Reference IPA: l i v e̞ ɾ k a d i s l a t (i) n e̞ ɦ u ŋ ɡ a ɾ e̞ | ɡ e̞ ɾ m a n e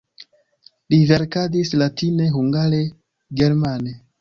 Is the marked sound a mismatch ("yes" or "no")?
no